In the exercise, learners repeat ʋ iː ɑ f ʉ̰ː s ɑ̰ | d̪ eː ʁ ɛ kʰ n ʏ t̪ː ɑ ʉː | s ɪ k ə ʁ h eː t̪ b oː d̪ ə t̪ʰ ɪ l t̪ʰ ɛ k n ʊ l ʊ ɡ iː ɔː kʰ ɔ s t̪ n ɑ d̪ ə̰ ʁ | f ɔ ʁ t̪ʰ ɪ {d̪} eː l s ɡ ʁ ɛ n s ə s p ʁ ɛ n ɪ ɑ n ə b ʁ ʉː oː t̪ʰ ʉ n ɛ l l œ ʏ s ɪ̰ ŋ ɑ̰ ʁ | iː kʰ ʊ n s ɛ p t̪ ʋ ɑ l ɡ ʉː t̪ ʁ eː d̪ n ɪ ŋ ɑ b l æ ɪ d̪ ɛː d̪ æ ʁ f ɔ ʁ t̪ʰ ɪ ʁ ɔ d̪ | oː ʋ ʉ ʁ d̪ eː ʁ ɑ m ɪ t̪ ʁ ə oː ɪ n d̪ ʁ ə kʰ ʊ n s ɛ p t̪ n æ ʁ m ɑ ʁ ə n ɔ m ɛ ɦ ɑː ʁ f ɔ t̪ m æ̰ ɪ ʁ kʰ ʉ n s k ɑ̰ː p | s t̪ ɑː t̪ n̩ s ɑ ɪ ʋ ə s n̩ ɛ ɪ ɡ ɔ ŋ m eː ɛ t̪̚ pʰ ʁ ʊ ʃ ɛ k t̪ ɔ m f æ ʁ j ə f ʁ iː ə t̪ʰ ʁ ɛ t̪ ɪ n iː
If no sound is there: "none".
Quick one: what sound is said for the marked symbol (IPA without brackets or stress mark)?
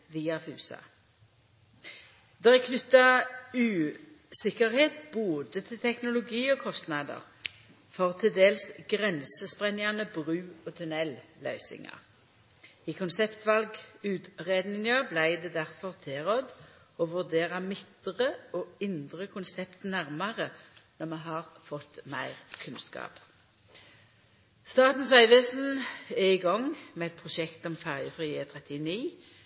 d̪